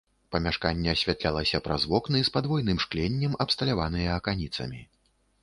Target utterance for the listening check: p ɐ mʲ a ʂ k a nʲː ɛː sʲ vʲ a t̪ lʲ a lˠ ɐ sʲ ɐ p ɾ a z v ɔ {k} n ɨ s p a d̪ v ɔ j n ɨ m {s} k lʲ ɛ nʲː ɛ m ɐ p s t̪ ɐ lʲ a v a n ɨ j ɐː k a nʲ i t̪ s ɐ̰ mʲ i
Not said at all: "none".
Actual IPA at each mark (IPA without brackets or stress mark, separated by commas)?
k, ʂ